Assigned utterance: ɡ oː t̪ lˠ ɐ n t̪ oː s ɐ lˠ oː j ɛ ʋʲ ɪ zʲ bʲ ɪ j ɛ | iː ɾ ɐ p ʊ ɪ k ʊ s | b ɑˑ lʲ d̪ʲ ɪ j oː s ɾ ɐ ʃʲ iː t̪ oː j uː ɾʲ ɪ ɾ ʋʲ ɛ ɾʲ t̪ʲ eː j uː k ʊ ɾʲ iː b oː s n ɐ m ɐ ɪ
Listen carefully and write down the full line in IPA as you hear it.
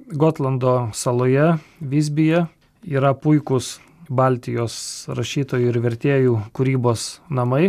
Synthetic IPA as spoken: ɡ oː t̪ lˠ ɐ n d̪ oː s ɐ lˠ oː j ɛ ʋʲ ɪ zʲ bʲ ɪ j ɛ | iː ɾ ɐ p ʊ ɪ k ʊ s | b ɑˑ lʲ t̪ʲ ɪ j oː s ɾ ɐ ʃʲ iː t̪ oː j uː ɪ ɾ ʋʲ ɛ ɾʲ t̪ʲ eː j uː k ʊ ɾʲ iː b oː s n ɐ m ɐ ɪ